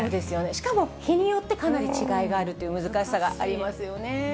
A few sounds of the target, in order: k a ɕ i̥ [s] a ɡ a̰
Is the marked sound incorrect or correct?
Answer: correct